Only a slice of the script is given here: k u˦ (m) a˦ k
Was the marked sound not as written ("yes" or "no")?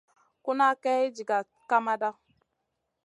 yes